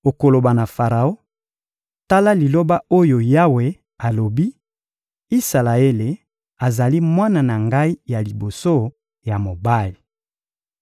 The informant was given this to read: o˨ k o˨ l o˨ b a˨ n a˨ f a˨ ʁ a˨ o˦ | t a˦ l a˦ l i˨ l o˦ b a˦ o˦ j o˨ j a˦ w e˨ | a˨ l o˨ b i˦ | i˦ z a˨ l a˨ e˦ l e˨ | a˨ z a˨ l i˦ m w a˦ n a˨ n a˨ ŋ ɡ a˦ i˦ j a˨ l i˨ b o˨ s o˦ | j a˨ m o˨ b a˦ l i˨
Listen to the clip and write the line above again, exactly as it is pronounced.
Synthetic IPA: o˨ k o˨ l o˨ b a˨ n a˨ f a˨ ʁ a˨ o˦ | t a˦ l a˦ l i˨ l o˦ b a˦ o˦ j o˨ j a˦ w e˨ | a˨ l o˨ b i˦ | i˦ s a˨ l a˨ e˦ l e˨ | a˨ z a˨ l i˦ m w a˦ n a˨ n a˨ ŋ ɡ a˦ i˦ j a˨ l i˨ b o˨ s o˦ | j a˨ m o˨ b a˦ l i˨